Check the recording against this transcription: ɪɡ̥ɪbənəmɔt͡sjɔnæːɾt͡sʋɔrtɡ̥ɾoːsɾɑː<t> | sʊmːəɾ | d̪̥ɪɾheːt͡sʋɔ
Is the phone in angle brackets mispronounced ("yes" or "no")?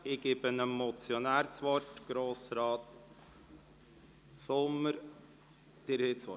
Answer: no